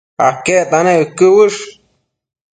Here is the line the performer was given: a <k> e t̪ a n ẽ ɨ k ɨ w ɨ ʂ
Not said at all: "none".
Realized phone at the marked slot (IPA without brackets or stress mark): k